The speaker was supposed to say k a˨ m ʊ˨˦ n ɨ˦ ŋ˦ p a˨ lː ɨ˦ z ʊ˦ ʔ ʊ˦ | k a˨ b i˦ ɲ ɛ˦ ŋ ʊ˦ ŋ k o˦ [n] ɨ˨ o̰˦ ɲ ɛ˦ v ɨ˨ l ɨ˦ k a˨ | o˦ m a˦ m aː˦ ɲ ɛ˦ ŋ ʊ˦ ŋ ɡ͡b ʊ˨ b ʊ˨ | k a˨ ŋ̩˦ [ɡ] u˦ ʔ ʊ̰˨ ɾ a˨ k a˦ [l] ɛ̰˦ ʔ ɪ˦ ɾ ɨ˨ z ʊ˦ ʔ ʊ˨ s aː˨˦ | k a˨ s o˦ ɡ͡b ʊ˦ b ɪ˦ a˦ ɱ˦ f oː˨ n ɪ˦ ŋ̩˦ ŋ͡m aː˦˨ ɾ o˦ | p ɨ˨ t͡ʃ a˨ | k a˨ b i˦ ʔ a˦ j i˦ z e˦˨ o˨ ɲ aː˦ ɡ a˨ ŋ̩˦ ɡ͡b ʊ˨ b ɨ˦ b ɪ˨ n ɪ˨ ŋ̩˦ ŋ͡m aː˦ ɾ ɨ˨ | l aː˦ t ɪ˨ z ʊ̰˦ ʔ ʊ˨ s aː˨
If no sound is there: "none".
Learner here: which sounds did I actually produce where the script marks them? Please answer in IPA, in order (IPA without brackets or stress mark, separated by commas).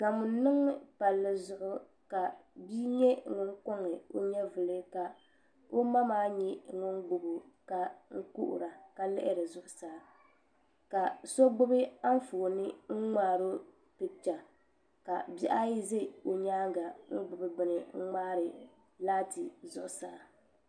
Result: ŋ, k, l